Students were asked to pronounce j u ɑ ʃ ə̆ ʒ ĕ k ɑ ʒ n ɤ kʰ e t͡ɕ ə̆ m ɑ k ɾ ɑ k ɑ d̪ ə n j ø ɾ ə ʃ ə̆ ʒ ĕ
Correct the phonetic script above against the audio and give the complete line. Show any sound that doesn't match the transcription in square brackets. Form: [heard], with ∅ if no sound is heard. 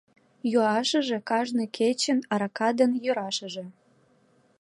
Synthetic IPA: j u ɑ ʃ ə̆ ʒ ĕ k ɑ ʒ n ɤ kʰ e t͡ɕ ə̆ [n] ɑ [∅] ɾ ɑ k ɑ d̪ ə n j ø ɾ [ɑ] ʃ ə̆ ʒ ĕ